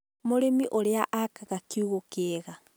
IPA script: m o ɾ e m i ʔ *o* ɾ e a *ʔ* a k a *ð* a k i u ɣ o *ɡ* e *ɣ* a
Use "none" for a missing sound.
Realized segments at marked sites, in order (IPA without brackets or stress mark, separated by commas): o, ʔ, ɣ, k, ɣ